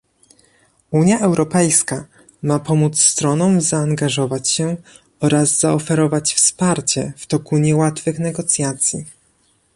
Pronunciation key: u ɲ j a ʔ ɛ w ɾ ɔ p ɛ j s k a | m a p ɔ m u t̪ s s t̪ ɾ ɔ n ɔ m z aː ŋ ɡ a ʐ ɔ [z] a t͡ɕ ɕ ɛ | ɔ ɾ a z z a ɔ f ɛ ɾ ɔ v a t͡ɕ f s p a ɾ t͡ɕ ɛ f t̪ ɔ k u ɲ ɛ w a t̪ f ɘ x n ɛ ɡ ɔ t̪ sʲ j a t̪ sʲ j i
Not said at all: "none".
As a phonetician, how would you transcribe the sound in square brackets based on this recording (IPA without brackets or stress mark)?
v